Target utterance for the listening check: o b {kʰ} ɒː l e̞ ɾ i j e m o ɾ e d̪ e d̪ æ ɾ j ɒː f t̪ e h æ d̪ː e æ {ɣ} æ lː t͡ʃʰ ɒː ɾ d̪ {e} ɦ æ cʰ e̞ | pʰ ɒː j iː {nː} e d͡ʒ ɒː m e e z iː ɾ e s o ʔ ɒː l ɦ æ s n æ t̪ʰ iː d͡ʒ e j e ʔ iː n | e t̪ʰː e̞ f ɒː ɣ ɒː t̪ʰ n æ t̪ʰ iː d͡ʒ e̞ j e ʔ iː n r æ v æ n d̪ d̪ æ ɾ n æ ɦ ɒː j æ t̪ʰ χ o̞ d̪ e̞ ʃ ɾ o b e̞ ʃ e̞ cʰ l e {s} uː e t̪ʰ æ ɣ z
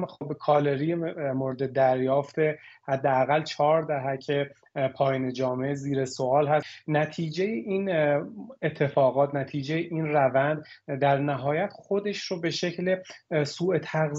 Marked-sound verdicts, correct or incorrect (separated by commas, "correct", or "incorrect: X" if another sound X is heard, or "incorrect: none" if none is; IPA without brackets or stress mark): correct, correct, incorrect: æ, incorrect: n, correct